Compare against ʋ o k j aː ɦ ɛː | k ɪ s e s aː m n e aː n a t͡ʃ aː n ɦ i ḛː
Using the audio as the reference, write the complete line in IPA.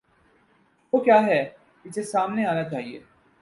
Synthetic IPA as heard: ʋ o k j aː ɦ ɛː | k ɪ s e s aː m n e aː n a t͡ʃ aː ɦ i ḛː